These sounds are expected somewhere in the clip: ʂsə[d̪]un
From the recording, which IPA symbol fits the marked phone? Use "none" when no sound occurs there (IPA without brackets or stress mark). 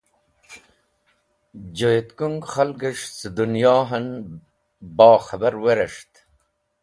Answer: d̪